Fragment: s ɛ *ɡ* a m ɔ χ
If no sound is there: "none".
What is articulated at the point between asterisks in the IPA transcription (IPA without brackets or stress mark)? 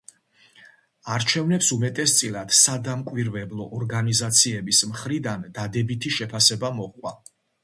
b